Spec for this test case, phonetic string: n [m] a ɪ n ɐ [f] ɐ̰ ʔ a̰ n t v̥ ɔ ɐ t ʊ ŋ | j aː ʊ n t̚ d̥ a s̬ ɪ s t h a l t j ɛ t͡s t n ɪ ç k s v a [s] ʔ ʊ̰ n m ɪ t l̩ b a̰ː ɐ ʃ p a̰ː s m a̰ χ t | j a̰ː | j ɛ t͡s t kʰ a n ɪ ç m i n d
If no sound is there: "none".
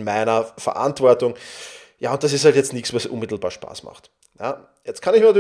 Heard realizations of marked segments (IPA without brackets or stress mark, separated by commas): m, f, s